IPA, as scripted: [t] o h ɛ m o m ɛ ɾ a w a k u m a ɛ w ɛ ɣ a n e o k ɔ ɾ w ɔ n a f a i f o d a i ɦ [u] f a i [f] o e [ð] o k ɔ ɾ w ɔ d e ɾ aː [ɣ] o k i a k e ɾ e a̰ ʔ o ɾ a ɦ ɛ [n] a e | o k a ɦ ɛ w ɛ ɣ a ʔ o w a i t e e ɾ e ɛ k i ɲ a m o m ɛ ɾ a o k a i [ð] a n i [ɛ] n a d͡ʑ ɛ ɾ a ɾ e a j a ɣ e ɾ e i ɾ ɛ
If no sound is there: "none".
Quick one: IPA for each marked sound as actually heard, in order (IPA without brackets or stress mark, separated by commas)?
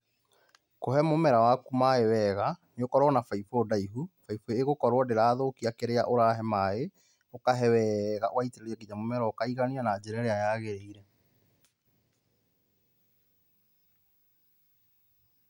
k, u, f, ɣ, ð, m, ɣ, a